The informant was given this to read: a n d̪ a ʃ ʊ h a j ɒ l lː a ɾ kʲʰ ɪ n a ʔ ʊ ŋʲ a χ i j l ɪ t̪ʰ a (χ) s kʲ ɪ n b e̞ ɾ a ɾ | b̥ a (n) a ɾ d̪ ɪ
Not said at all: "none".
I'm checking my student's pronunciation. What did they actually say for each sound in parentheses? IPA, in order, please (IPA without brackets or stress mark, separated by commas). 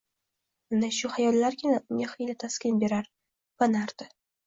none, n